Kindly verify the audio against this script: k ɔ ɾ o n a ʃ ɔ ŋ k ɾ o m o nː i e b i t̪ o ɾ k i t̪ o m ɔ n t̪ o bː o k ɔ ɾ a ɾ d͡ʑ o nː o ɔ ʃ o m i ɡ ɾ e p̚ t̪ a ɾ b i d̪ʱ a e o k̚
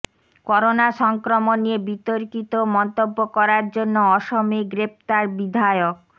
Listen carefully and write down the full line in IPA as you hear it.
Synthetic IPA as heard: k ɔ ɾ o n a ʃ ɔ ŋ k ɾ o m o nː i e b i t̪ o ɾ k i t̪ o m ɔ n t̪ o bː o k ɔ ɾ a ɾ d͡ʑ o nː o ɔ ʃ o m i ɡ ɾ e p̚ t̪ a ɾ b i d̪ʱ a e o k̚